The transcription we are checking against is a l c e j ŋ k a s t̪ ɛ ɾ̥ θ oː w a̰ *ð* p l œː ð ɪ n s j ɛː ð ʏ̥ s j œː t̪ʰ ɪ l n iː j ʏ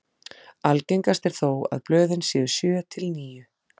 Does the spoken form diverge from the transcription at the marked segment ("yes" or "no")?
no